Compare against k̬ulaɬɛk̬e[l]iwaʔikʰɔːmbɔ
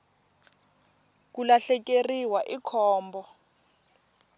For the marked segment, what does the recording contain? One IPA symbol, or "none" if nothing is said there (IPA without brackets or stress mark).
r